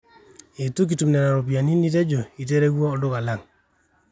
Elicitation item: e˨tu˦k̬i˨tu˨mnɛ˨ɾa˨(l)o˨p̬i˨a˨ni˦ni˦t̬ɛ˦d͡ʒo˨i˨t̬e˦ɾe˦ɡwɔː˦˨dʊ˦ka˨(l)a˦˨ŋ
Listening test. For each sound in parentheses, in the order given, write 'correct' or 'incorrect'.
incorrect, correct

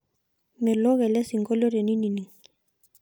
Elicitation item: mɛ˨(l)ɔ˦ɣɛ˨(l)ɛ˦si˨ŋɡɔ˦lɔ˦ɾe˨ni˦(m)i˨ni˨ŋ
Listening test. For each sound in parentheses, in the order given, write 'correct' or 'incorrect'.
correct, correct, incorrect

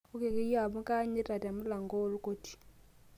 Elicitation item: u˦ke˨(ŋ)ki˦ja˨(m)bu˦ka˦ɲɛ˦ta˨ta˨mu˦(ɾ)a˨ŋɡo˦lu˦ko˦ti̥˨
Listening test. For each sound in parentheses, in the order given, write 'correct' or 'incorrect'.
incorrect, incorrect, incorrect

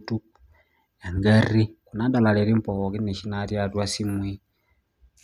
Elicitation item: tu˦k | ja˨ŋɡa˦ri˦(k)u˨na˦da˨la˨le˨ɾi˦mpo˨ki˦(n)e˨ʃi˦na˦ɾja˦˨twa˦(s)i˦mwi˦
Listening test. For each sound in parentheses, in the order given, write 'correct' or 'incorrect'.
correct, correct, correct

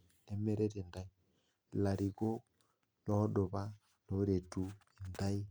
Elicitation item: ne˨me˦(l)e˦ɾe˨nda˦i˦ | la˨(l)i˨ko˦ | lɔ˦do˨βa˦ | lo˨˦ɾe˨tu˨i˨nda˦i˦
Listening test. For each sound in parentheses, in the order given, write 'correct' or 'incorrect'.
incorrect, incorrect

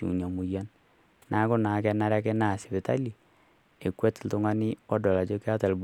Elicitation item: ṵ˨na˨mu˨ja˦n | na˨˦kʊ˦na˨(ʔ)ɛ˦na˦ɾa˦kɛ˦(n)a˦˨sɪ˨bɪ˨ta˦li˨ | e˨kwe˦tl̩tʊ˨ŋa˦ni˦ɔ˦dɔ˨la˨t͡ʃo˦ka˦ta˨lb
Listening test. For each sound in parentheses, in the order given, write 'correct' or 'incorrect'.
incorrect, correct

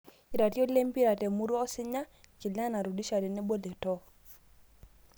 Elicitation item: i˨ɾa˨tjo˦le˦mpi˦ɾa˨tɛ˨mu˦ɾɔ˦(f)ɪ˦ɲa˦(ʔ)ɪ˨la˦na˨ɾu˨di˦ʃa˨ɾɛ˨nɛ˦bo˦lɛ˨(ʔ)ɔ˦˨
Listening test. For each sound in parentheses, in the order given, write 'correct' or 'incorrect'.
incorrect, incorrect, incorrect

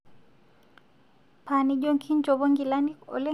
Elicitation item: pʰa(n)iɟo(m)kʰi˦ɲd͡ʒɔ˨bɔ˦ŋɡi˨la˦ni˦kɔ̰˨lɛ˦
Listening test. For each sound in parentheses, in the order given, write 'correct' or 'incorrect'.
correct, incorrect

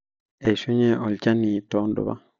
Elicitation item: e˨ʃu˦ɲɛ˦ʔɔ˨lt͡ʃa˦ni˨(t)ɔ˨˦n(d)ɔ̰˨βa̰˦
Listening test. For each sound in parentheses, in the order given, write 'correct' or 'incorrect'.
correct, correct

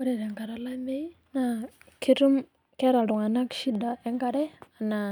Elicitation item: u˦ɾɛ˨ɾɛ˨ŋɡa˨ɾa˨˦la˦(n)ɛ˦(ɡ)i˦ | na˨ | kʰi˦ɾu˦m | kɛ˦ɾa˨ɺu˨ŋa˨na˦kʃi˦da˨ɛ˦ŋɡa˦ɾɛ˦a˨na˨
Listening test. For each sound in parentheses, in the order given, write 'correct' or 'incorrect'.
incorrect, incorrect

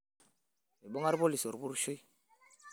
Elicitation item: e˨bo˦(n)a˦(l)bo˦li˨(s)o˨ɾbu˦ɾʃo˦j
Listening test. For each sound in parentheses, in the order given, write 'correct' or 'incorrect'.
incorrect, incorrect, correct

